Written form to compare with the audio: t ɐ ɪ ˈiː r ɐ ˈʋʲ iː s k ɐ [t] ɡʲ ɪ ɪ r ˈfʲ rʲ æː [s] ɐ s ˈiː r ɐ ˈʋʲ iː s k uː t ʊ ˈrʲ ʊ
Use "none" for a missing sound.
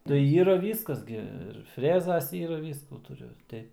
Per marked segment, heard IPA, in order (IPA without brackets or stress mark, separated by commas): s, z